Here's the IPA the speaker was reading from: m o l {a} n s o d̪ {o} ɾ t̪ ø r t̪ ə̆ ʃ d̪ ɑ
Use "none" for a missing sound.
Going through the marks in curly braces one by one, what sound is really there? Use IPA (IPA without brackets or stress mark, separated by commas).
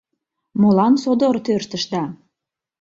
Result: ɑ, o